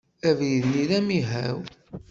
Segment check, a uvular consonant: absent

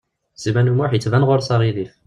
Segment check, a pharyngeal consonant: present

